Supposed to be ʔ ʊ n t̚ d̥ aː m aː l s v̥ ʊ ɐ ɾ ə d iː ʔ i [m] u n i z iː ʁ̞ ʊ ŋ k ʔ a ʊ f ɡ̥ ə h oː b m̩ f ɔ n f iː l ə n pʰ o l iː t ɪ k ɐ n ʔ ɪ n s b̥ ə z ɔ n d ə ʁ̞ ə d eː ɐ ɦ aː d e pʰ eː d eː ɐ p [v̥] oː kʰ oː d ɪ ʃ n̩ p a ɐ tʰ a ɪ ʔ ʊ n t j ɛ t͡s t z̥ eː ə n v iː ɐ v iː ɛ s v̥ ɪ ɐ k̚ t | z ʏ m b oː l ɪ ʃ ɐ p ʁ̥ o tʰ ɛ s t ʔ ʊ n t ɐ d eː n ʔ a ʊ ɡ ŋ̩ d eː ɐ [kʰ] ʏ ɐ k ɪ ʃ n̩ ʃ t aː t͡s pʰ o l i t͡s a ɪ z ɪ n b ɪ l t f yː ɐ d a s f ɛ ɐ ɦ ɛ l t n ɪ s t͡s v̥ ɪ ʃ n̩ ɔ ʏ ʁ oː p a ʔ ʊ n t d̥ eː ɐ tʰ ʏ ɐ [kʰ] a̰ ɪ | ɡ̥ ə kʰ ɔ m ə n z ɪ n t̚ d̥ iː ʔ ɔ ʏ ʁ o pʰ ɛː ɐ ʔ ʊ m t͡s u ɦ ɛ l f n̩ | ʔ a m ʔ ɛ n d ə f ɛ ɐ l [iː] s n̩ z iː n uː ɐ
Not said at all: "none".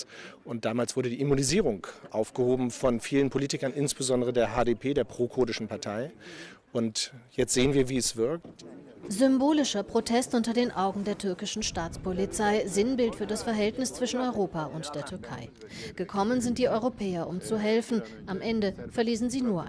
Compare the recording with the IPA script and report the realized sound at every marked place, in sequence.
m, ʁ̥, tʰ, kʰ, iː

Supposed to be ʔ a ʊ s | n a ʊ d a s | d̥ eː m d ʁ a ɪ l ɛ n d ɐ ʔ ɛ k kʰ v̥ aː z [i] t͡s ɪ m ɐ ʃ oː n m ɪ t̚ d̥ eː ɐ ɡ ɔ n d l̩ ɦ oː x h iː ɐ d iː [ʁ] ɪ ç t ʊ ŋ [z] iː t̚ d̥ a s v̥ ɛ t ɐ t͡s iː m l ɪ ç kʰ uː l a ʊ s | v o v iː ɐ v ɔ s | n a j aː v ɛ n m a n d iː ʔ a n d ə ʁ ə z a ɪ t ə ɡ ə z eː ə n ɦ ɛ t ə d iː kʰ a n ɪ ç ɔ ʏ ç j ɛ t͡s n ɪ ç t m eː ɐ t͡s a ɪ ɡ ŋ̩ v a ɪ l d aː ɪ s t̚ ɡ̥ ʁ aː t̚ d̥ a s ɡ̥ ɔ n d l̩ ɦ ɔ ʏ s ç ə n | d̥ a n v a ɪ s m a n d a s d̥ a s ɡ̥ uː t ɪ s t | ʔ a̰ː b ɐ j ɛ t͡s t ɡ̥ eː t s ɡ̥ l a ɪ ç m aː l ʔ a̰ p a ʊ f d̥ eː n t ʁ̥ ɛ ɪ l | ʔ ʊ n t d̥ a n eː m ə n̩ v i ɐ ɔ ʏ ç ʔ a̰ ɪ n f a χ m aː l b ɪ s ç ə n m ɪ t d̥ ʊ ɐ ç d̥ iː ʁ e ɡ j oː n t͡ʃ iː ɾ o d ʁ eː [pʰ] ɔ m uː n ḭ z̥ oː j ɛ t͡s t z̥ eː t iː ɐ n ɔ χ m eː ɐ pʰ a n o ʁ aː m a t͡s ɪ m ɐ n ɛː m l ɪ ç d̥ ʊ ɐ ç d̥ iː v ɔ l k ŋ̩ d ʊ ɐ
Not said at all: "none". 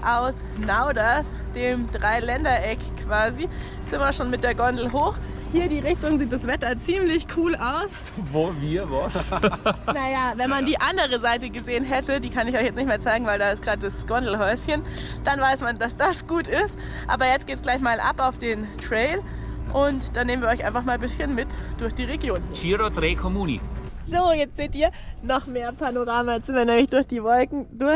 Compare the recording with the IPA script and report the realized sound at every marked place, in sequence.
i, ʁ, z, kʰ

